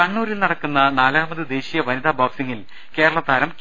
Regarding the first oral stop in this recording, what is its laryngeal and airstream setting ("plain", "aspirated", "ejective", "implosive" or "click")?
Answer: plain